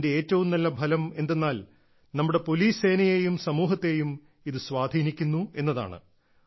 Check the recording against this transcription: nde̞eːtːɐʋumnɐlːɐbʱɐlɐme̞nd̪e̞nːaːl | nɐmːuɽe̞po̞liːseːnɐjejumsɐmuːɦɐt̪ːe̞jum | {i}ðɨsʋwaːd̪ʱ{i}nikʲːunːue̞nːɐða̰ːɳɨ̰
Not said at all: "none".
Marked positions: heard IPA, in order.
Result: i, iː

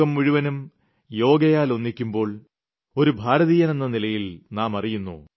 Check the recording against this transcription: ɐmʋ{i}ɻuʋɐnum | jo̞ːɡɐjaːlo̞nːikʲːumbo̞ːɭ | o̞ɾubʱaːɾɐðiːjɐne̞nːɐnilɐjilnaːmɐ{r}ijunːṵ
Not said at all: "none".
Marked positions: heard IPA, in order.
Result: i, r

